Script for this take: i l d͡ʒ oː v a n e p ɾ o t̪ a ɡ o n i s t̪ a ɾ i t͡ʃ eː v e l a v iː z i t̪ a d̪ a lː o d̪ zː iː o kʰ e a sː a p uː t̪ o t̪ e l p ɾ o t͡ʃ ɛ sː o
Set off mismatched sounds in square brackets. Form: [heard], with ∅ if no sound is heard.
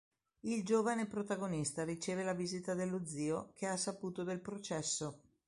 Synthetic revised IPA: i l d͡ʒ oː v a n e p ɾ o t̪ a ɡ o n i s t̪ a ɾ i t͡ʃ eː v e l a v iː z i t̪ a d̪ [e] lː o d̪ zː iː o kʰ e a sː a p uː t̪ o [d̪] e l p ɾ o t͡ʃ ɛ sː o